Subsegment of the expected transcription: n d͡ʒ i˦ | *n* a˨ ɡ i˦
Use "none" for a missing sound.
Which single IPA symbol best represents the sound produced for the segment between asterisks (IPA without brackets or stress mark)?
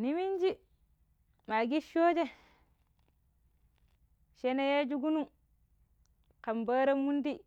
m